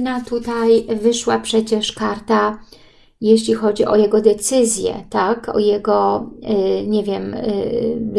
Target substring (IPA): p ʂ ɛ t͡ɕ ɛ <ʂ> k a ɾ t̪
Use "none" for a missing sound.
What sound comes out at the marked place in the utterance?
ʂ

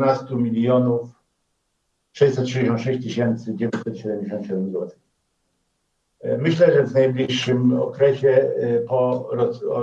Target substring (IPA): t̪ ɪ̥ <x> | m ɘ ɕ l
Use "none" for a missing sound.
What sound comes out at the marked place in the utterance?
x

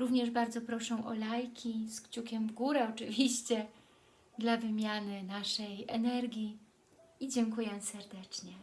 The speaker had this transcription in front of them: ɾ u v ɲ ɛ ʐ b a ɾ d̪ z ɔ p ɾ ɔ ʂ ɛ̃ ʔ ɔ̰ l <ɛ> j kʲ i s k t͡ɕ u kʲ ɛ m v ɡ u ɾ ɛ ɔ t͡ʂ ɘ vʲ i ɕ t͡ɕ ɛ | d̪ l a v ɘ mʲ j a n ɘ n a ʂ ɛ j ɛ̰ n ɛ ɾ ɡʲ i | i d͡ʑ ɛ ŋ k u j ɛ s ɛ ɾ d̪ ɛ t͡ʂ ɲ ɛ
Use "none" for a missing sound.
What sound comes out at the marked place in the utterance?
a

